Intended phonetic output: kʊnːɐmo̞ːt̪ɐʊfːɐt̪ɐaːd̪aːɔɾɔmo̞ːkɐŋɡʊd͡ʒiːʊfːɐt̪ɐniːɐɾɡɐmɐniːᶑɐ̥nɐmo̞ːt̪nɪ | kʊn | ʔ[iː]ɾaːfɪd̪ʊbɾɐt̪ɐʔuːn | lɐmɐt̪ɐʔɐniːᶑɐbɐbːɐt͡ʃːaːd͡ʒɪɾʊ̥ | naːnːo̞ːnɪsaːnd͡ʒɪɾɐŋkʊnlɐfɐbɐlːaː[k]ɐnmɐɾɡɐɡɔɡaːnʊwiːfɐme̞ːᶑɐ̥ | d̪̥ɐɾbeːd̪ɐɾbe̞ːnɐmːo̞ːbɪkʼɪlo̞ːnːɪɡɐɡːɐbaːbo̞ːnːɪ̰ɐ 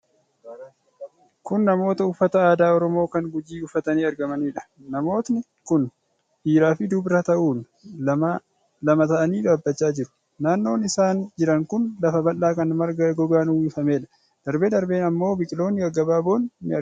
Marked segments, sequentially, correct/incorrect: correct, correct

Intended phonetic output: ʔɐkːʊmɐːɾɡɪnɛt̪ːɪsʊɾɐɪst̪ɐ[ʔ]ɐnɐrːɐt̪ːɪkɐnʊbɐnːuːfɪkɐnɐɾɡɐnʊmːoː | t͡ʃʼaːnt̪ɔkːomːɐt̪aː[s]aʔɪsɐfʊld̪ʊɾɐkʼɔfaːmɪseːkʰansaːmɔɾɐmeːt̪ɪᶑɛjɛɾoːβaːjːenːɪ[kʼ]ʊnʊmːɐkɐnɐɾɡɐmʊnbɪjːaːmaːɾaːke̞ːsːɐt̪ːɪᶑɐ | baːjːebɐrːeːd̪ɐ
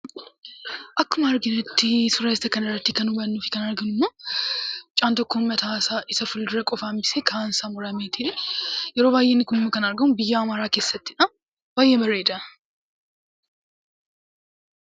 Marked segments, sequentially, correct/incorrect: incorrect, correct, incorrect

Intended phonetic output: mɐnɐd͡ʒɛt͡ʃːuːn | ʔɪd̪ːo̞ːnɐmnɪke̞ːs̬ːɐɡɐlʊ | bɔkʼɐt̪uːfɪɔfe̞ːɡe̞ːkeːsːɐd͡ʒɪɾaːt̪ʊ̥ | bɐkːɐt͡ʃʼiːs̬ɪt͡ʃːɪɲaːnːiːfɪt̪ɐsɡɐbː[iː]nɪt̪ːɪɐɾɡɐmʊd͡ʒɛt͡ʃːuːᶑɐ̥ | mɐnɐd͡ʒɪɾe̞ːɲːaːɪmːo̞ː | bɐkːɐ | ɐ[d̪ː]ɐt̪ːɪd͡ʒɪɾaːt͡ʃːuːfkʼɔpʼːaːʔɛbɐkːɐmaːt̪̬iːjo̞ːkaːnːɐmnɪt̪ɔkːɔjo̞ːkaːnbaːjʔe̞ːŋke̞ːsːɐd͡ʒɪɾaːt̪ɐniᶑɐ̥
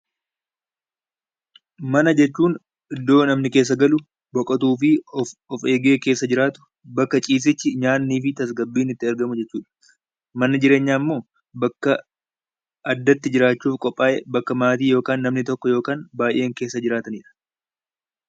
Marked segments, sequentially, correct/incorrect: correct, correct

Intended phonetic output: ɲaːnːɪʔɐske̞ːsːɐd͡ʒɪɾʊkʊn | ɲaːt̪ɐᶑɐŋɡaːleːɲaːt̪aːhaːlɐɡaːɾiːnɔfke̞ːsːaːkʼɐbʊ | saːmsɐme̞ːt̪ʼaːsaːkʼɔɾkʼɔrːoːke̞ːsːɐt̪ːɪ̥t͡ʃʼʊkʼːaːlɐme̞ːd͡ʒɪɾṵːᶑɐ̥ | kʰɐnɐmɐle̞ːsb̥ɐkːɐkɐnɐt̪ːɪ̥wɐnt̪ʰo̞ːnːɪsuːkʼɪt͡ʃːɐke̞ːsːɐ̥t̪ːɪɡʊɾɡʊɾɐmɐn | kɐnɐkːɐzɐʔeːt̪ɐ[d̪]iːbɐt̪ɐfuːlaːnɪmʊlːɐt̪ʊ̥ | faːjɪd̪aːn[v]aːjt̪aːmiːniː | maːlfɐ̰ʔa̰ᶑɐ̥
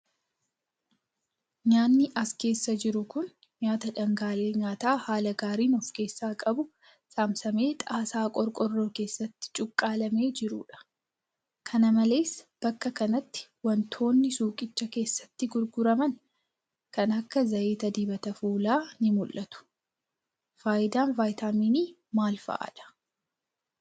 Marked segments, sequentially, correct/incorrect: correct, correct

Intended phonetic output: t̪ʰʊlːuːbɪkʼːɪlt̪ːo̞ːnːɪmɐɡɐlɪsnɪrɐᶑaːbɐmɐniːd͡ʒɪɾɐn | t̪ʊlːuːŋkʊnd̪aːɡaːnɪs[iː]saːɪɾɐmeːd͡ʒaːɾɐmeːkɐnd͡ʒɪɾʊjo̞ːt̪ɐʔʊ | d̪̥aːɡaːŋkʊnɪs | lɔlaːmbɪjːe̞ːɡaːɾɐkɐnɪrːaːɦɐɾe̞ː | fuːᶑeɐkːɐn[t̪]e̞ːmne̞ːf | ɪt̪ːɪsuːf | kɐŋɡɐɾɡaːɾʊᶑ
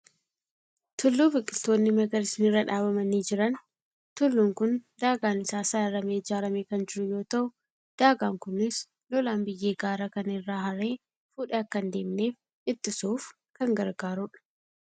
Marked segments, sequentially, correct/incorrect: incorrect, incorrect

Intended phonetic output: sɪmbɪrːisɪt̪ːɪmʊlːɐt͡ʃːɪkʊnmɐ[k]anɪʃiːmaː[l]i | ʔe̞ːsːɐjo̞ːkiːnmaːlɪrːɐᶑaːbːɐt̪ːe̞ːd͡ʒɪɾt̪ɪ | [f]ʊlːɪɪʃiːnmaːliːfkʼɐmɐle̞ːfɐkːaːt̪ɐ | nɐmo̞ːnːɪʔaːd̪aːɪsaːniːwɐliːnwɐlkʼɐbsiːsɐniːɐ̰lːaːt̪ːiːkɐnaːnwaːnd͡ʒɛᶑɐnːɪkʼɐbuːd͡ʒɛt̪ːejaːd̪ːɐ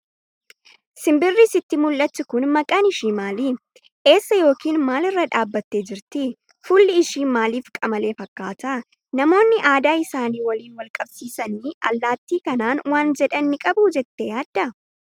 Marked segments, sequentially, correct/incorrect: incorrect, correct, correct

